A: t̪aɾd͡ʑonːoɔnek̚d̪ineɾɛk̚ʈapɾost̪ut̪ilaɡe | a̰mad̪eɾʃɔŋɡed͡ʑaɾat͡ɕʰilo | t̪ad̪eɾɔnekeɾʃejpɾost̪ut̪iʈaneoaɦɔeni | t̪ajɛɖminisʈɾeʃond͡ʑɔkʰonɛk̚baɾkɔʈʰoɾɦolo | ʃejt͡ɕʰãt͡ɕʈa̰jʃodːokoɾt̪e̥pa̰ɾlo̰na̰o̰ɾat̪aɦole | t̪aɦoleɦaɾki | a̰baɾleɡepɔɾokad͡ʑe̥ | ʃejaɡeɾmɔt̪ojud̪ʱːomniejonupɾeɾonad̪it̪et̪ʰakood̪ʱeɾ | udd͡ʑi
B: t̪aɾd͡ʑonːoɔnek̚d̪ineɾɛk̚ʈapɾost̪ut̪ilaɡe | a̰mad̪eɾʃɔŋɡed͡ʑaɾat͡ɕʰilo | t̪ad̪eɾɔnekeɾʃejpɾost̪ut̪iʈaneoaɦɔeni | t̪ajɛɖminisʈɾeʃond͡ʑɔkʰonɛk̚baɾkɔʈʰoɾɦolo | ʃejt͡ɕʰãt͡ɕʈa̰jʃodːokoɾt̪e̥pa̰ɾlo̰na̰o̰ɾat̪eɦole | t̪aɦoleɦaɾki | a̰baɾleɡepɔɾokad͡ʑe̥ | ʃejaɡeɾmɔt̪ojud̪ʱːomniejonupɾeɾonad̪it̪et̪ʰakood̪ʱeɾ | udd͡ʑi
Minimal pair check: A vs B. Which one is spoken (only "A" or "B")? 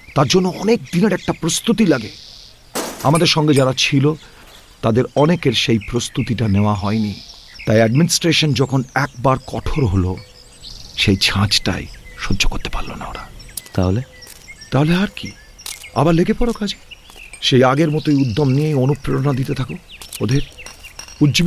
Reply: A